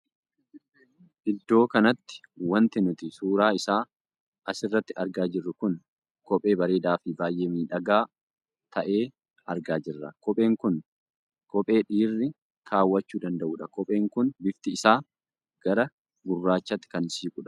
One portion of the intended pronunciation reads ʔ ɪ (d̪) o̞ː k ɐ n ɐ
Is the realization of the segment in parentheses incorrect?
yes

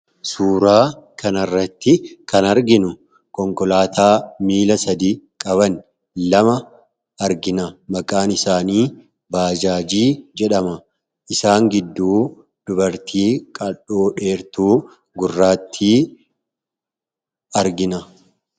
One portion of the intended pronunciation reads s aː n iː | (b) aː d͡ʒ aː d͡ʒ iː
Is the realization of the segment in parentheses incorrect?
no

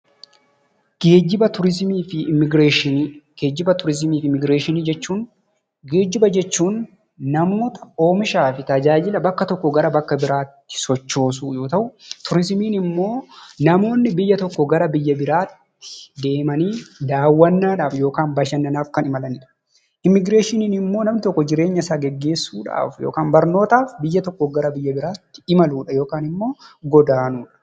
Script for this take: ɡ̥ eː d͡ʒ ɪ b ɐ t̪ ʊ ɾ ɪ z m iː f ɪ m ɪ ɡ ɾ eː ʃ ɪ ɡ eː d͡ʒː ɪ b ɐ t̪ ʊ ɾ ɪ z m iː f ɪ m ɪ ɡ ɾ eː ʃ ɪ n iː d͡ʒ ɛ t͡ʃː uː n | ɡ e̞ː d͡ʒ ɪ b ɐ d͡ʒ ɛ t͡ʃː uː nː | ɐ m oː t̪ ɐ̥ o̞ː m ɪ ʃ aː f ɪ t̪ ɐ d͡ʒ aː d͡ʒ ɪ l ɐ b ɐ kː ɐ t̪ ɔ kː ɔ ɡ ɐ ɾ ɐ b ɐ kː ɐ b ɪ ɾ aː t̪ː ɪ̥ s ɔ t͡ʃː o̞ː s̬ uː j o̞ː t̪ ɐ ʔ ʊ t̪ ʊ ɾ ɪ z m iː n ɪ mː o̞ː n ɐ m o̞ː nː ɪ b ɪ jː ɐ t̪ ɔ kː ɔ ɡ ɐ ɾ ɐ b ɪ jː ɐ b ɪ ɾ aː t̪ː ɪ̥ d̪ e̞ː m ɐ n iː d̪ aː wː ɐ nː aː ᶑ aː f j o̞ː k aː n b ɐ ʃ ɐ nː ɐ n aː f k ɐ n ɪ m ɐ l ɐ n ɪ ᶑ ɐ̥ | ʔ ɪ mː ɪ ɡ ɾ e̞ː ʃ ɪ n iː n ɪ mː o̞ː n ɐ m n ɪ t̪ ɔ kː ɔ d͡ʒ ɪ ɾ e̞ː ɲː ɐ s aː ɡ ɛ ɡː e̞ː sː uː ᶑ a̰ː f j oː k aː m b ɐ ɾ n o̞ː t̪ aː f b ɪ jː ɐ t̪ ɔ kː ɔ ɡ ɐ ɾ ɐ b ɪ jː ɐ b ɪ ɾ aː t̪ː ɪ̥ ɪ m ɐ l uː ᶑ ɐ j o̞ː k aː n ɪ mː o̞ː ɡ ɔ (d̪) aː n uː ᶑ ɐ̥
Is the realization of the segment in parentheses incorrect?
no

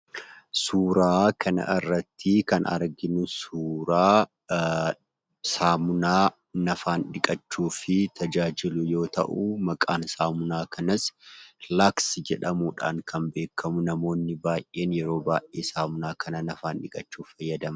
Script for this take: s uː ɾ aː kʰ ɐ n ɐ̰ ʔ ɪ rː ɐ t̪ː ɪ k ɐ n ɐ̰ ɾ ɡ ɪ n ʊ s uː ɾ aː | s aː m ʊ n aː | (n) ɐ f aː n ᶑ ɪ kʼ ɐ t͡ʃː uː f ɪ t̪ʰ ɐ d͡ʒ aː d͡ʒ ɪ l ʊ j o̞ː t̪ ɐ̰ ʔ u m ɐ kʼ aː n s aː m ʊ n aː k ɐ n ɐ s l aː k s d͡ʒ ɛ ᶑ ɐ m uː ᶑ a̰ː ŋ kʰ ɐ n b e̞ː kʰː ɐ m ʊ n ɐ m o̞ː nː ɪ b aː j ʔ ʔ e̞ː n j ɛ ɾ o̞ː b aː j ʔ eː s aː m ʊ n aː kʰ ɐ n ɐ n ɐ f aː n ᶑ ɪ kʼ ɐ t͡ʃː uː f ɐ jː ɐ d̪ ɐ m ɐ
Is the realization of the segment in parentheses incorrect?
no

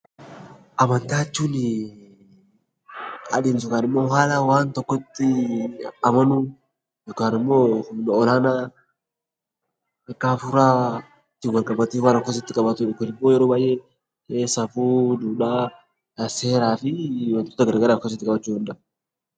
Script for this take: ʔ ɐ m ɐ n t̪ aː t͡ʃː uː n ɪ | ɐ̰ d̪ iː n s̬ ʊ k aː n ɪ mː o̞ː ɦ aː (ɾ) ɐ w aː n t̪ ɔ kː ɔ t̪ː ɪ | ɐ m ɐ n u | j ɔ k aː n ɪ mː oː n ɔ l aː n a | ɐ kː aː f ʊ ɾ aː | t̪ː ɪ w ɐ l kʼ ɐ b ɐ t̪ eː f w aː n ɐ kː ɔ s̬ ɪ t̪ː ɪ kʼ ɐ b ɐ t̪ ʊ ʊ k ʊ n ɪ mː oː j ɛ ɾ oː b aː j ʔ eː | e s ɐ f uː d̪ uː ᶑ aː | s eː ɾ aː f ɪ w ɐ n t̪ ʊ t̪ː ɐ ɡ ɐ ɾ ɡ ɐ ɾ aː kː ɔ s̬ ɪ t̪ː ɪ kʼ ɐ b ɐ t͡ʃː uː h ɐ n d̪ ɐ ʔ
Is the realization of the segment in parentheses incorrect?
yes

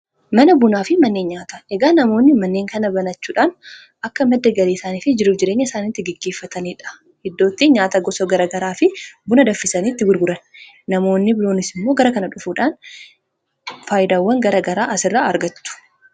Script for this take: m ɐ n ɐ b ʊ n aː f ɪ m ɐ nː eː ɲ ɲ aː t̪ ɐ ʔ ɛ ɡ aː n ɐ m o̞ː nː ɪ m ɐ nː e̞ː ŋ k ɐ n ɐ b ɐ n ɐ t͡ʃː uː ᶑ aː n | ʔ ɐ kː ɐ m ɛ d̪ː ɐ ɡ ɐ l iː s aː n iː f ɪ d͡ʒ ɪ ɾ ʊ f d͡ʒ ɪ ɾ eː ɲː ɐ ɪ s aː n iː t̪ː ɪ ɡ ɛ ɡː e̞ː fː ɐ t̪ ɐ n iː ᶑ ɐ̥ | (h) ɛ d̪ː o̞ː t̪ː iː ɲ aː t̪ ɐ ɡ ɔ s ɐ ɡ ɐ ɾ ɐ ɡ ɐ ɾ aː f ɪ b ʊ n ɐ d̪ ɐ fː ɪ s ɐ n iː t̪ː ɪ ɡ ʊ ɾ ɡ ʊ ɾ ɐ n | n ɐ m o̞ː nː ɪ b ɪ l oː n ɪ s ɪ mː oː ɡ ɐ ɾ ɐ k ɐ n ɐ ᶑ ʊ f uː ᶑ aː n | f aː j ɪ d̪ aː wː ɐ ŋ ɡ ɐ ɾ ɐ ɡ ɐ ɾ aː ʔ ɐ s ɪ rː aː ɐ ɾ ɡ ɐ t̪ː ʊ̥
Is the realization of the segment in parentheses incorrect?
no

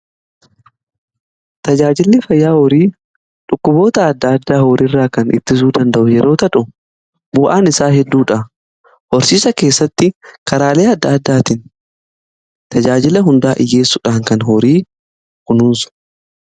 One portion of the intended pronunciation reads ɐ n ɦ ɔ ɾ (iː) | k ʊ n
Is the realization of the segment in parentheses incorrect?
no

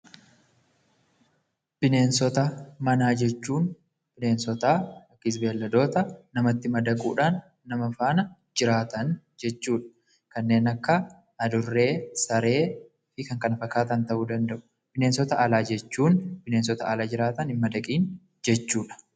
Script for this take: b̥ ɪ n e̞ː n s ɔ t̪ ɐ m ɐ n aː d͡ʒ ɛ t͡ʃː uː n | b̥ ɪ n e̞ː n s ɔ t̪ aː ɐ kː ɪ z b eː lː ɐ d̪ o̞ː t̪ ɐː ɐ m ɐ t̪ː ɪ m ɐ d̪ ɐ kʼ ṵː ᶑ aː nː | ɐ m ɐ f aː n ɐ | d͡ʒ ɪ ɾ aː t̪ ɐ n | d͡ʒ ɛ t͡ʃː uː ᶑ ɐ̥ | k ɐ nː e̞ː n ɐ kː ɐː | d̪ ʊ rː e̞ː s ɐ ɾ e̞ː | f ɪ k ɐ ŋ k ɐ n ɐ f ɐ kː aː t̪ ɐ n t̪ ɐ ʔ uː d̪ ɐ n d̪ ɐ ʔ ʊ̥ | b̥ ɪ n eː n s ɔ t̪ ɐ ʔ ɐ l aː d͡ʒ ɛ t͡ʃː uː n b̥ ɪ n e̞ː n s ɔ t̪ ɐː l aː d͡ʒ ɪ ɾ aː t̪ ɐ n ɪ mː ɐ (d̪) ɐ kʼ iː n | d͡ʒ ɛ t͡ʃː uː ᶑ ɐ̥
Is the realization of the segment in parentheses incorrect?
no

